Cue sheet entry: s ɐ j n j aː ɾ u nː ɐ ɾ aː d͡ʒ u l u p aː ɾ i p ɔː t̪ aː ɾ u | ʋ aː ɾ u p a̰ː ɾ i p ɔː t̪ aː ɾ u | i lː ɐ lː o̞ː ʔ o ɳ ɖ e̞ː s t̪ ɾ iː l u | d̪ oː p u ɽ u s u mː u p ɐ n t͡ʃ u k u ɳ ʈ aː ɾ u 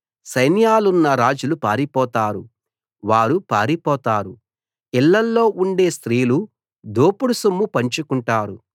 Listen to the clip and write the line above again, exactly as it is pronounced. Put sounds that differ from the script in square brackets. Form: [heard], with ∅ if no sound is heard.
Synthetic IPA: s ɐ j n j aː [l] u nː ɐ ɾ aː d͡ʒ u l u p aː ɾ i p ɔː t̪ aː ɾ u | ʋ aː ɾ u p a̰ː ɾ i p ɔː t̪ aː ɾ u | i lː ɐ lː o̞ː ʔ [u] ɳ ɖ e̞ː s t̪ ɾ iː l u | d̪ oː p u ɽ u s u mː u p ɐ [ɲ] t͡ʃ u k u ɳ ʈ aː ɾ u

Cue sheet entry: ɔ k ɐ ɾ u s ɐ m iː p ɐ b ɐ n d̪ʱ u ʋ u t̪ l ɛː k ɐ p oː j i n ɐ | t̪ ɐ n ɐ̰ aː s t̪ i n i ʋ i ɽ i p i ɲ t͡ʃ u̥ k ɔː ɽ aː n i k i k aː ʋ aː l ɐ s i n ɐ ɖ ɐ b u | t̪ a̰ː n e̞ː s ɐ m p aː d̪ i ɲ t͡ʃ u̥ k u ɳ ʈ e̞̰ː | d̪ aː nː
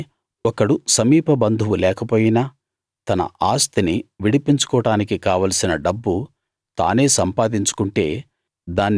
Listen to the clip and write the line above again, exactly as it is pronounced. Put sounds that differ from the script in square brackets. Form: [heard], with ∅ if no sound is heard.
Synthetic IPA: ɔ k ɐ [ɽ] u s ɐ m iː p ɐ b ɐ n d̪ʱ u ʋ u [∅] l ɛː k ɐ p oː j i n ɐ | t̪ ɐ n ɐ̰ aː s t̪ i n i ʋ i ɽ i p i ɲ t͡ʃ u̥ k ɔː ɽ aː n i k i k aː ʋ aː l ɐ s i n ɐ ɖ ɐ [bː] u | t̪ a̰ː n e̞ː s ɐ m p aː d̪ i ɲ t͡ʃ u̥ k u ɳ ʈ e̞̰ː | d̪ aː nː

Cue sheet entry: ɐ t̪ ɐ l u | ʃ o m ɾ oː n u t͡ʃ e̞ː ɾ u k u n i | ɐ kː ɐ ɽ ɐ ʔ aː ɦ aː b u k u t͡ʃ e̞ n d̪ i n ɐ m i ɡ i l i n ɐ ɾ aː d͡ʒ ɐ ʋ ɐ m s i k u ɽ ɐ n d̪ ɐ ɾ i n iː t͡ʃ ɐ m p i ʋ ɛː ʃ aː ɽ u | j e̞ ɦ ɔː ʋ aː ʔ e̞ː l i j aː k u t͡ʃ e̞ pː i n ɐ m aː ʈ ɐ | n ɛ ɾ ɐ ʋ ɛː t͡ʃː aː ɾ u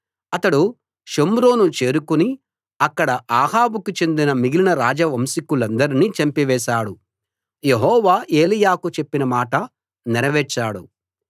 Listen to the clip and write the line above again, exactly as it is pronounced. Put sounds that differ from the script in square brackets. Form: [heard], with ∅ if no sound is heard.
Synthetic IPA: ɐ t̪ ɐ [ɽ] u | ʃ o m ɾ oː n u t͡ʃ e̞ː ɾ u k u n i | ɐ kː ɐ ɽ ɐ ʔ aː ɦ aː b u k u t͡ʃ e̞ n d̪ i n ɐ m i ɡ i l i n ɐ ɾ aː d͡ʒ ɐ ʋ ɐ m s i k u [l] ɐ n d̪ ɐ ɾ i n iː t͡ʃ ɐ m p i ʋ ɛː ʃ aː ɽ u | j e̞ ɦ ɔː ʋ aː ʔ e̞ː l i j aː k u t͡ʃ e̞ pː i n ɐ m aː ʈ ɐ | n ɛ ɾ ɐ ʋ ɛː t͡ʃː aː [ɽ] u

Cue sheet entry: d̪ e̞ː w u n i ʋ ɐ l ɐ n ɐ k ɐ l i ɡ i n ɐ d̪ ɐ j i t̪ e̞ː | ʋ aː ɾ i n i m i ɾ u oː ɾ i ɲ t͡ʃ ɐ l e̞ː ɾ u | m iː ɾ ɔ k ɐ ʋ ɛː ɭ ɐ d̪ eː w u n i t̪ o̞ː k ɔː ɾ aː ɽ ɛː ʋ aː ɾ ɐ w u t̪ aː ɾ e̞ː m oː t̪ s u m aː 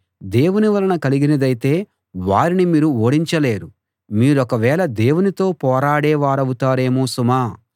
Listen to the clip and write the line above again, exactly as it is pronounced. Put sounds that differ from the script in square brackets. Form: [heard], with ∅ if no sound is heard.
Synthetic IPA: d̪ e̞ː w u n i ʋ ɐ l ɐ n ɐ k ɐ l i ɡ i n ɐ d̪ ɐ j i t̪ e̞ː | ʋ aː ɾ i n i m [iː] ɾ u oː [ɽ] i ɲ t͡ʃ ɐ l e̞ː ɾ u | m iː ɾ ɔ k ɐ ʋ ɛː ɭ ɐ d̪ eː w u n i t̪ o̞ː [p] ɔː ɾ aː ɽ ɛː ʋ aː ɾ ɐ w u t̪ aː ɾ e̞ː m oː [∅] s u m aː

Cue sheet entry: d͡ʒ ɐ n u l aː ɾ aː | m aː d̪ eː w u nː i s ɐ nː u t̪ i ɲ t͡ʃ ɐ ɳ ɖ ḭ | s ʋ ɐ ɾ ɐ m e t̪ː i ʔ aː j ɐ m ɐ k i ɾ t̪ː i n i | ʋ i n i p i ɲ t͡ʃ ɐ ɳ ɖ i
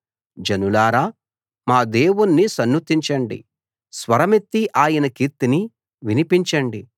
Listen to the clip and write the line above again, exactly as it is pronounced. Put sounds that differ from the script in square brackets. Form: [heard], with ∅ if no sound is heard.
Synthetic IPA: d͡ʒ ɐ n u l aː ɾ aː | m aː d̪ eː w u nː i s ɐ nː u t̪ i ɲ t͡ʃ ɐ ɳ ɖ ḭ | s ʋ ɐ ɾ ɐ m e t̪ː i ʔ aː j ɐ [n] ɐ k i ɾ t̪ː i n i | ʋ i n i p i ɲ t͡ʃ ɐ ɳ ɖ i

